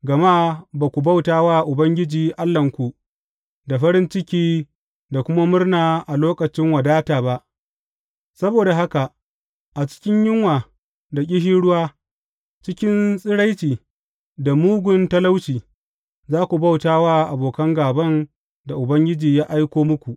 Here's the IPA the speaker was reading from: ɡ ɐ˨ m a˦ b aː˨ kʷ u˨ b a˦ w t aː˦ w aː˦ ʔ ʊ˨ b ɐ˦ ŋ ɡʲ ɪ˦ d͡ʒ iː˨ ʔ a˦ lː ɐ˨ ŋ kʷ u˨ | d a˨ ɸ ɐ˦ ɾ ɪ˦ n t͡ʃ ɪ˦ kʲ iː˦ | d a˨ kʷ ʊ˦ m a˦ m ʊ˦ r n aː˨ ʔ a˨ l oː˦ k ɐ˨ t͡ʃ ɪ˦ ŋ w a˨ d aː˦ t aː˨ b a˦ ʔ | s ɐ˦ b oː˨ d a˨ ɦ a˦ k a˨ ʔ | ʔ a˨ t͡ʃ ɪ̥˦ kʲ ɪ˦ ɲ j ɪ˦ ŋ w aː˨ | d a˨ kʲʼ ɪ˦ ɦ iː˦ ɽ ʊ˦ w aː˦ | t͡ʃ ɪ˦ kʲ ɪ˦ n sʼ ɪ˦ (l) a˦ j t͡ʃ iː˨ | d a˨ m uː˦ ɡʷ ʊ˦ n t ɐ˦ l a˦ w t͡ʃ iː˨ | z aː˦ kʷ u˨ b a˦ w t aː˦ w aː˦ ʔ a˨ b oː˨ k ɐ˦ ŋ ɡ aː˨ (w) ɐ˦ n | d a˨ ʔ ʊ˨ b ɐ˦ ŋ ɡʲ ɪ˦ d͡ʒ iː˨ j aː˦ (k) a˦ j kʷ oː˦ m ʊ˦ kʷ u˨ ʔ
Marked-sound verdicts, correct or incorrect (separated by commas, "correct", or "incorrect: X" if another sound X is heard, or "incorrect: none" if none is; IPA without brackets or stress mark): incorrect: ɽ, incorrect: b, incorrect: ʔ